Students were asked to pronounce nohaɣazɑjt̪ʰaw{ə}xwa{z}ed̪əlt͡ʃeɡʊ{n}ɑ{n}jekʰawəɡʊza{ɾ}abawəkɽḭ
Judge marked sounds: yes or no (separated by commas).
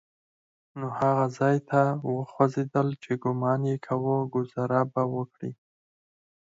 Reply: yes, yes, no, yes, yes